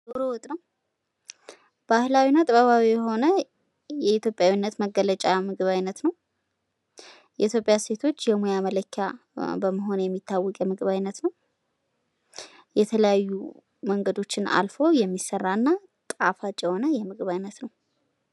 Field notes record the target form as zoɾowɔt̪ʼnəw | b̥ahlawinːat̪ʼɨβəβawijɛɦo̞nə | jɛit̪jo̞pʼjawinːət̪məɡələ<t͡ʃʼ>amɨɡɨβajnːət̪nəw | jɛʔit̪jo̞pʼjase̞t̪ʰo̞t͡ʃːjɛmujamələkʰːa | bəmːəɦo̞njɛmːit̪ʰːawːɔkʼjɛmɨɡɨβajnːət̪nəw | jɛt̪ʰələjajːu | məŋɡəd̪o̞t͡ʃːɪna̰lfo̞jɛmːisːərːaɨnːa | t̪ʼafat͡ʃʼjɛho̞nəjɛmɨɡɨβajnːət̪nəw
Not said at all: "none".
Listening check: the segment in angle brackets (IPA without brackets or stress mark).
t͡ʃʼ